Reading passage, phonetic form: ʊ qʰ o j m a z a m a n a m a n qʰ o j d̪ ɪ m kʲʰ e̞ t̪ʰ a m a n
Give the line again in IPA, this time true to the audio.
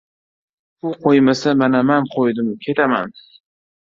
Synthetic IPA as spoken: ʊ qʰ o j m a s a m a n a m a n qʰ o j d̪ ɪ m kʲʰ e̞ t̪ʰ a m a n